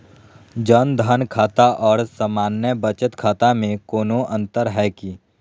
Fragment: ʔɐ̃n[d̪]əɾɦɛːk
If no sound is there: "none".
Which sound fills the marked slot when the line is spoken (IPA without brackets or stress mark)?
t̪